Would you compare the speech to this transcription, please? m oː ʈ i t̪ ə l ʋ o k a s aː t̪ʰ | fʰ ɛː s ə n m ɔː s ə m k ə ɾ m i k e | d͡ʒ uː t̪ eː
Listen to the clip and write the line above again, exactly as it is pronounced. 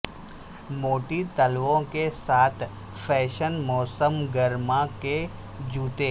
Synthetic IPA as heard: m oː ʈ i t̪ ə l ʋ õ k e s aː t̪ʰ | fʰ ɛː ʃ ə n m ɔː s ə m ɡ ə ɾ m a k e | d͡ʒ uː t̪ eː